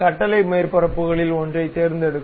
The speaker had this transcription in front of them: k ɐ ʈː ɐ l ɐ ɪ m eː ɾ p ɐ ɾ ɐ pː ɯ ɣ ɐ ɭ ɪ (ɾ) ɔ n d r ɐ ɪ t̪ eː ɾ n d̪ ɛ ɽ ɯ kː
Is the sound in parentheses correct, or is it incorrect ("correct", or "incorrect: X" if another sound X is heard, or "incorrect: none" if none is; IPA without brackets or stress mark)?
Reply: incorrect: l